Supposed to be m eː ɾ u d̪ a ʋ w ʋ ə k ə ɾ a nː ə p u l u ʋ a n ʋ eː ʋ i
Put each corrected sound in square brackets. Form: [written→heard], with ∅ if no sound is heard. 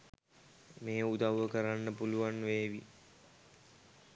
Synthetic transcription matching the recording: m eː [ɾ→∅] u d̪ a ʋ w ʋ ə k ə ɾ a nː ə p u l u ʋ a n ʋ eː ʋ i